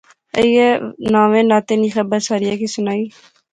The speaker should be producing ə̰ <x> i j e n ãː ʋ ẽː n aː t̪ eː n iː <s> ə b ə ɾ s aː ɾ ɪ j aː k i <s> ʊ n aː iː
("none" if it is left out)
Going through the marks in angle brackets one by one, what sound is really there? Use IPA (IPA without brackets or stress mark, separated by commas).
none, x, s